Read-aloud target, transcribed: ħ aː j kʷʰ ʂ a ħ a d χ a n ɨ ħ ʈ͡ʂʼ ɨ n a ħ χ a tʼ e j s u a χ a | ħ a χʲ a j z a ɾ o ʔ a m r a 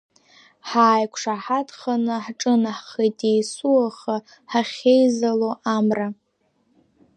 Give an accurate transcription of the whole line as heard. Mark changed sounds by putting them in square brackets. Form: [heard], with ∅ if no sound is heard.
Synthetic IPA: ħ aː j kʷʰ ʂ a ħ a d χ a n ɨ ħ ʈ͡ʂʼ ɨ n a ħ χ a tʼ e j s u a χ a | ħ a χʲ [e] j z a [l] o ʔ a m r a